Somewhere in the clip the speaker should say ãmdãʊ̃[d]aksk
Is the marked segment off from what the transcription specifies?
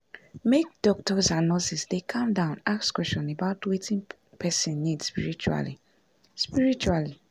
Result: yes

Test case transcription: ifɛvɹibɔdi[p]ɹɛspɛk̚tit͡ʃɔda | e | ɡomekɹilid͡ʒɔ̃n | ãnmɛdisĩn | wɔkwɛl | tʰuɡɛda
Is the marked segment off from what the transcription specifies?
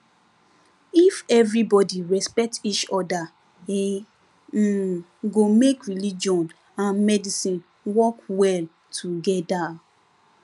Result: yes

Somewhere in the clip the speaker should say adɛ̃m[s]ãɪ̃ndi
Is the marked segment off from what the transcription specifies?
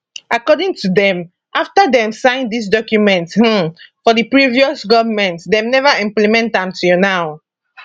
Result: no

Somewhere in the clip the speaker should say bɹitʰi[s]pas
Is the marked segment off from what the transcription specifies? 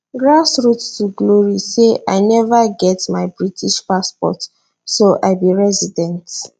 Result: yes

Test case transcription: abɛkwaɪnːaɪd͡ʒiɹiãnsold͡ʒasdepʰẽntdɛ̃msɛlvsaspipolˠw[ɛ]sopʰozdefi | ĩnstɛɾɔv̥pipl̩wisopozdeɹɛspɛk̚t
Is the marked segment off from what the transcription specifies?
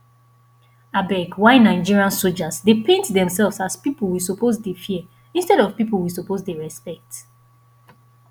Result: yes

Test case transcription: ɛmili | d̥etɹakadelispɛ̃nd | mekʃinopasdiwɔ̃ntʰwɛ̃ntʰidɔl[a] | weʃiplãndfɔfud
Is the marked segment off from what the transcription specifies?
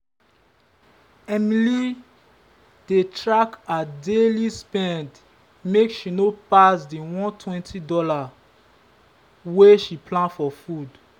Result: no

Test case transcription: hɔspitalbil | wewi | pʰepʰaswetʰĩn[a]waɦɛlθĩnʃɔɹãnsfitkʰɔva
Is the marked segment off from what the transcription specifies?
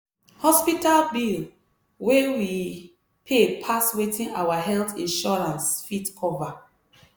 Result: no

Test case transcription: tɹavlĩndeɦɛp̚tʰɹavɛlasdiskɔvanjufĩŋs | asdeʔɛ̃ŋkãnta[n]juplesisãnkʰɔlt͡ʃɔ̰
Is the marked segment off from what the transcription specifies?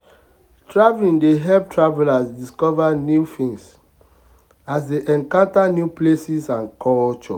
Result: no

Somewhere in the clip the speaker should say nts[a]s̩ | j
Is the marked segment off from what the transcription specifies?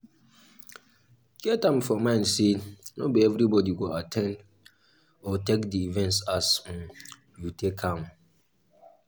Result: no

